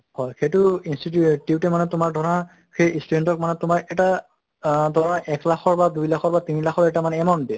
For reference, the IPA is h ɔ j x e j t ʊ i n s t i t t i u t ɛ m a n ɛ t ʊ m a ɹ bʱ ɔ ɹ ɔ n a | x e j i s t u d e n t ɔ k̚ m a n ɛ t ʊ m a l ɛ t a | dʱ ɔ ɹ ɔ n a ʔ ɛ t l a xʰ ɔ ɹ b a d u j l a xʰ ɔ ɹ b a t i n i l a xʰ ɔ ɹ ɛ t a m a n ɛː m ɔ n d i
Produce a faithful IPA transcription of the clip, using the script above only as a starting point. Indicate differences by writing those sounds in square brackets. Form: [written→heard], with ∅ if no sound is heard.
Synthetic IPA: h ɔ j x e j t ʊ i n s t i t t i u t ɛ m a n ɛ t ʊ m a ɹ [bʱ→dʱ] ɔ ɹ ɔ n a | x e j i s t u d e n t ɔ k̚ m a n ɛ t ʊ m a [l→ɹ] ɛ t a | dʱ ɔ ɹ ɔ n a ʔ ɛ [t→k] l a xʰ ɔ ɹ b a d u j l a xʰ ɔ ɹ b a t i n i l a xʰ ɔ ɹ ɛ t a m a n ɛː m ɔ n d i

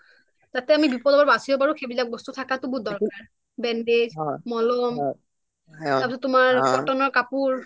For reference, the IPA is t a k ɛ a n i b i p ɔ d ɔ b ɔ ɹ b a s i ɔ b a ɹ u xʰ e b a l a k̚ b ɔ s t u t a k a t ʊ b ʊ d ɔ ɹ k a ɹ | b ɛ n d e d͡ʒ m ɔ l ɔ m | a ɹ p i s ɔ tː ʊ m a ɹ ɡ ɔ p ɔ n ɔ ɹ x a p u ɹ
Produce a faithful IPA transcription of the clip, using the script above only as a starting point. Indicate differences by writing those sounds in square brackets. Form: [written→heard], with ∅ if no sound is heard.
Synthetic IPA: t a [k→t] ɛ a [n→m] i b i p ɔ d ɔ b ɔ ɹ b a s i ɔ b a ɹ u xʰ e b [a→i] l a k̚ b ɔ s t u [t→tʰ] a k a t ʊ b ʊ d ɔ ɹ k a ɹ | b ɛ n d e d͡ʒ m ɔ l ɔ m | a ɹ p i s ɔ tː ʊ m a ɹ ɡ ɔ [p→t] ɔ n ɔ ɹ [x→k] a p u ɹ

